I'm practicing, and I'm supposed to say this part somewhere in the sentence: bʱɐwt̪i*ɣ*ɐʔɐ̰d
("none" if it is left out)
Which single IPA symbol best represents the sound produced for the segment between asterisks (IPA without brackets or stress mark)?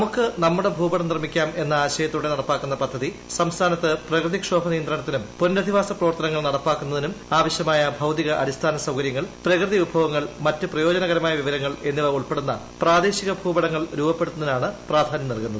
ɣ